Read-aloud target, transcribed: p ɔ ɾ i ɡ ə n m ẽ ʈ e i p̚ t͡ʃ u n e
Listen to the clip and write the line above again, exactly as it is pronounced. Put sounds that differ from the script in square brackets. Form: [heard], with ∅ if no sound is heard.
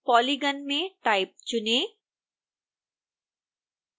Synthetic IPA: p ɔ [l] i ɡ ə n m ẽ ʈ [a] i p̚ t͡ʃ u n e

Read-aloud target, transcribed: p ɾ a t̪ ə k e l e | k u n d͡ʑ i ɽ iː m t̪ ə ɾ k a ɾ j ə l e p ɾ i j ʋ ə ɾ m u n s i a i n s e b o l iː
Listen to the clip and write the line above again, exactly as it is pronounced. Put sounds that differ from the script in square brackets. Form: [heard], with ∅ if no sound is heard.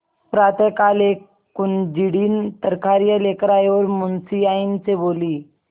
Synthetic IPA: p ɾ a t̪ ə k [a] l e | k u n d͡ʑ i ɽ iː [n] t̪ ə ɾ k a ɾ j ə l e [k] ɾ [a] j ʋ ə ɾ m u n s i a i n [t͡s] e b o l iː

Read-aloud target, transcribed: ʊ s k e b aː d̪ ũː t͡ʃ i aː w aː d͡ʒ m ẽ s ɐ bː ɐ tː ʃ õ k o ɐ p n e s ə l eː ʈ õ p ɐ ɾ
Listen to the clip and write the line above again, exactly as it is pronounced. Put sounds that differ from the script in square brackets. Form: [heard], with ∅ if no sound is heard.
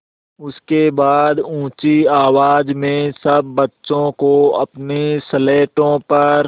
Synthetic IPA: ʊ s k e b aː d̪ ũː t͡ʃ i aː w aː d͡ʒ m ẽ s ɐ bː ɐ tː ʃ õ k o ɐ p n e s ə l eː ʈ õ p ɐ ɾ

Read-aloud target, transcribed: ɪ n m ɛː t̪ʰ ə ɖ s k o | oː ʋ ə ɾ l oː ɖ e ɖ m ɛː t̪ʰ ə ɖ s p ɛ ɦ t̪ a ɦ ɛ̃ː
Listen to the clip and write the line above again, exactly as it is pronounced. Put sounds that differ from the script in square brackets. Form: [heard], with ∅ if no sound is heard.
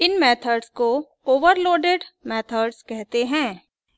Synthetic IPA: ɪ n m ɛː t̪ʰ ə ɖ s k o | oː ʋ ə ɾ l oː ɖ e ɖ m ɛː t̪ʰ ə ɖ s [k] ɛ ɦ t̪ [e] ɦ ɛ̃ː

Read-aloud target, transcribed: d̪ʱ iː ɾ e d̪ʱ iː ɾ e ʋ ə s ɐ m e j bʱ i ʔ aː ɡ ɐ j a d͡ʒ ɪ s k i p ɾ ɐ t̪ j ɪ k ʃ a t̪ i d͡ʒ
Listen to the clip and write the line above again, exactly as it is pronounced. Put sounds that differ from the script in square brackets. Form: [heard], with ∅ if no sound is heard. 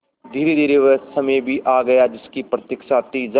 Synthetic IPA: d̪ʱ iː ɾ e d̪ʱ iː ɾ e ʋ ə s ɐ m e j bʱ i ʔ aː ɡ ɐ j a d͡ʒ ɪ s k i p ɾ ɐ t̪ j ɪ k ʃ a t̪ i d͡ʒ

